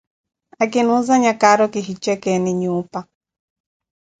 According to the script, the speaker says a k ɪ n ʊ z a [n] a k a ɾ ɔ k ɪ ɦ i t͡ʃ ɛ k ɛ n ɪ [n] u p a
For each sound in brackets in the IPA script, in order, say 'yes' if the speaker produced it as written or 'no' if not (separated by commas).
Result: no, no